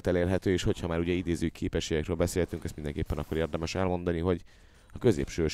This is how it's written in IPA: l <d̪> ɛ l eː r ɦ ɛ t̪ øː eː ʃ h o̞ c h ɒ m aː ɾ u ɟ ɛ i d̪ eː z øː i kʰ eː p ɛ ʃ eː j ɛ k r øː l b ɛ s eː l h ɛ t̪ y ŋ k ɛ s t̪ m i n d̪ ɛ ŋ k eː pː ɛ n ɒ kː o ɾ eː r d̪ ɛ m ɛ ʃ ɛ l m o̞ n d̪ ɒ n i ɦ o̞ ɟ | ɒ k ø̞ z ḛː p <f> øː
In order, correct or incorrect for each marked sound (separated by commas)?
incorrect, incorrect